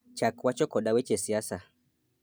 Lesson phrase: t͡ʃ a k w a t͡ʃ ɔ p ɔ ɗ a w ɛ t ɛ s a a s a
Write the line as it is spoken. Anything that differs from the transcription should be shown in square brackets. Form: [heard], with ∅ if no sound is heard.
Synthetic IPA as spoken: t͡ʃ a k w a t͡ʃ ɔ [k] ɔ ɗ a w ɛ [t͡ʃ] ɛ s [i] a s a

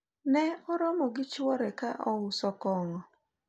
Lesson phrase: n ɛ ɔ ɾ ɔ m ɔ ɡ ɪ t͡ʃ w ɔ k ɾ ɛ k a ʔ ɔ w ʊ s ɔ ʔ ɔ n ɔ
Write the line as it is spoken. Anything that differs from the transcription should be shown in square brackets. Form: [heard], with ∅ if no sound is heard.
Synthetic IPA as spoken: n ɛ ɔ ɾ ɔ m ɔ ɡ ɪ t͡ʃ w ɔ [∅] ɾ ɛ k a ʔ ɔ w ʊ s ɔ [k] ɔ [ŋ] ɔ

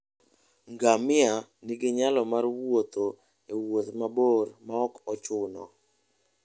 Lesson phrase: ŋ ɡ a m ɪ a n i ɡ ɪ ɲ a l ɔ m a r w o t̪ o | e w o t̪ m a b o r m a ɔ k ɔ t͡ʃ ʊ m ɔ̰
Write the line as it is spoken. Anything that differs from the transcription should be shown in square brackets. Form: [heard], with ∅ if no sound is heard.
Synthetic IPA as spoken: ŋ ɡ a m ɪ a n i ɡ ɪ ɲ a l ɔ m a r w o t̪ o | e w o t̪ m a b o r m a ɔ k ɔ t͡ʃ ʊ [n] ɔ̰

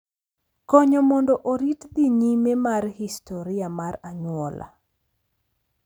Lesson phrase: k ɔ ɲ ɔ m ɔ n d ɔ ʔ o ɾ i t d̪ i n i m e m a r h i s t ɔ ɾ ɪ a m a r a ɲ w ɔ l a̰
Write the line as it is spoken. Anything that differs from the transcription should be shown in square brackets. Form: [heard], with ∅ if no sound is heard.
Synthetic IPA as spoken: k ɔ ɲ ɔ m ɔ n d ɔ ʔ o ɾ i t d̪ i [ɲ] i m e m a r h i s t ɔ ɾ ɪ a m a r a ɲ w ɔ l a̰

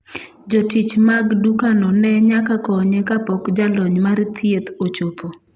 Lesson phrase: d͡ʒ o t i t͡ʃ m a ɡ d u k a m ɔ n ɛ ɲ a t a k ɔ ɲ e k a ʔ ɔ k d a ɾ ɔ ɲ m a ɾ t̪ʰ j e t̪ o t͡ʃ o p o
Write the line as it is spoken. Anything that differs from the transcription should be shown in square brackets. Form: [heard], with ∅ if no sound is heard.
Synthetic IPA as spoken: d͡ʒ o t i t͡ʃ m a ɡ d u k a [n] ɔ n ɛ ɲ a [k] a k ɔ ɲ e k a [p] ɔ k [d͡ʒ] a [l] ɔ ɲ m a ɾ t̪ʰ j e t̪ o t͡ʃ o p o

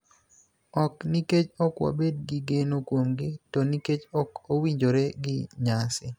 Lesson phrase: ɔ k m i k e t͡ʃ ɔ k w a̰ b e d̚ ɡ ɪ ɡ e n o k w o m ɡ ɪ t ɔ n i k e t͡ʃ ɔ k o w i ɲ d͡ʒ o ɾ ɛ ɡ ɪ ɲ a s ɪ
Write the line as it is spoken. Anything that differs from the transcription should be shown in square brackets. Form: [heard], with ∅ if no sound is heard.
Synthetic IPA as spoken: ɔ k [n] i k e t͡ʃ ɔ k w a̰ b e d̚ ɡ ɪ ɡ e n o k w o m ɡ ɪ t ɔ n i k e t͡ʃ ɔ k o w i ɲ d͡ʒ o ɾ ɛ ɡ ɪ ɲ a s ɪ

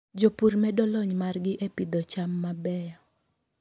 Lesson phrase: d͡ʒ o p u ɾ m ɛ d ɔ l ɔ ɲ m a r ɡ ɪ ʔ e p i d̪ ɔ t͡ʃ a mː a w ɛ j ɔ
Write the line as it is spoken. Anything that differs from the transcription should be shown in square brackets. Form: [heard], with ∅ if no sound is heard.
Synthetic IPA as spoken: d͡ʒ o p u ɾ m ɛ d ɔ l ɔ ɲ m a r ɡ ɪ ʔ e p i d̪ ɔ t͡ʃ a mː a [b] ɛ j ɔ

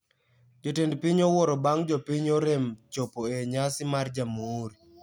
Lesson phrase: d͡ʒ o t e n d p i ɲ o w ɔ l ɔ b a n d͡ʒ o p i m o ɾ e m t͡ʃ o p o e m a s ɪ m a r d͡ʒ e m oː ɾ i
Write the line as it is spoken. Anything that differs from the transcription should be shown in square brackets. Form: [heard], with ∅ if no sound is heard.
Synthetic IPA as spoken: d͡ʒ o t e n d p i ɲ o w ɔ [ɾ] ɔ b a [ŋ] d͡ʒ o p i [ɲ] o ɾ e m t͡ʃ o p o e [ɲ] a s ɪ m a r d͡ʒ [a] m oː ɾ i

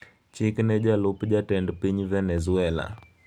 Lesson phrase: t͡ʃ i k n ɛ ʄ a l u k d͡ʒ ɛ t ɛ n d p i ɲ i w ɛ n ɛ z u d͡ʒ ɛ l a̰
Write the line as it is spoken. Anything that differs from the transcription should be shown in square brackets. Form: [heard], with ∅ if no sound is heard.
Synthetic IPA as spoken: t͡ʃ i k n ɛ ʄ a l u [p] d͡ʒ [a] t ɛ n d p i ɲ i [v] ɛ n ɛ z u [∅] ɛ l a̰

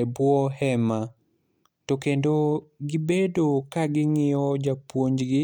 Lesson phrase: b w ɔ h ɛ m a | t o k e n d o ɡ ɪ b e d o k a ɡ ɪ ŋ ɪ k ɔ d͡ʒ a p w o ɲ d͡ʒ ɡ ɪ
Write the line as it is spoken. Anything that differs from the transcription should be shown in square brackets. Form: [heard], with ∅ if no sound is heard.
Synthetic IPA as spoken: b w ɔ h ɛ m a | t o k e n d o ɡ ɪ b e d o k a ɡ ɪ ŋ ɪ [∅] ɔ d͡ʒ a p w o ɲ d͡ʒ ɡ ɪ

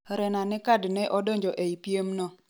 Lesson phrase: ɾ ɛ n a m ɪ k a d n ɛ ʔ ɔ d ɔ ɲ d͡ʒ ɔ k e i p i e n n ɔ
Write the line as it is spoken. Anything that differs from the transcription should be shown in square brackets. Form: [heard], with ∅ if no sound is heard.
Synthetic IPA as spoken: ɾ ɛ n a [n] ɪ k a d n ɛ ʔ ɔ d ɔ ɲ d͡ʒ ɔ [ʔ] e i p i e [m] n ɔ

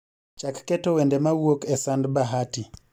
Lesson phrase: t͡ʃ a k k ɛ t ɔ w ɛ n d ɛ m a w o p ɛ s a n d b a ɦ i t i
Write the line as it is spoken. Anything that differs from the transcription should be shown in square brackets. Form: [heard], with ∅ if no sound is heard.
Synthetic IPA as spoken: t͡ʃ a k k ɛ t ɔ w ɛ n d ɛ m a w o [k] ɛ s a n d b a ɦ [a] t i

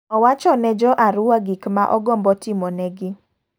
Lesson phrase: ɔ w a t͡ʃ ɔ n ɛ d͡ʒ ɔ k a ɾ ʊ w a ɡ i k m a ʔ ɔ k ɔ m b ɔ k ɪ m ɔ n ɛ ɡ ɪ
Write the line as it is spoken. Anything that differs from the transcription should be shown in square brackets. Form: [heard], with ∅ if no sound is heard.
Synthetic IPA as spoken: ɔ w a t͡ʃ ɔ n ɛ d͡ʒ ɔ [ʔ] a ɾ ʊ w a ɡ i k m a ʔ ɔ [ɡ] ɔ m b ɔ [t] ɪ m ɔ n ɛ ɡ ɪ

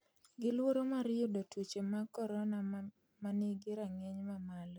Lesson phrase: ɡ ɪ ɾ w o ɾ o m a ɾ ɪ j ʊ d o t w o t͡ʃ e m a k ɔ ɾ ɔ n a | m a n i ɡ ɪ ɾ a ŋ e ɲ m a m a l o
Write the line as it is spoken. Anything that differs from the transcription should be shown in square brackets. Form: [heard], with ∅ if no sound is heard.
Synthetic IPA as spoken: ɡ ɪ [l] w o ɾ o m a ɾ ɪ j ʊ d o t w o t͡ʃ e m a k ɔ ɾ ɔ n a | m a n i ɡ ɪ ɾ a ŋ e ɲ m a m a l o

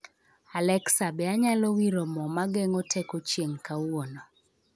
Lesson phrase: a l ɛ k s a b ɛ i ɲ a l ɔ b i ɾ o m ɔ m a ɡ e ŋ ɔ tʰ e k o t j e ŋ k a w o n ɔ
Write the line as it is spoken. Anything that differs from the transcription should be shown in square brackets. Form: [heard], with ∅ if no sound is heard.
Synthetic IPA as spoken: a l ɛ k s a b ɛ [a] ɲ a l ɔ [w] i ɾ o m ɔ m a ɡ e ŋ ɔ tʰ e k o [t͡ʃ] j e ŋ k a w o n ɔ

